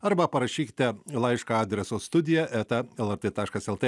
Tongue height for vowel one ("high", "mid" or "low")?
low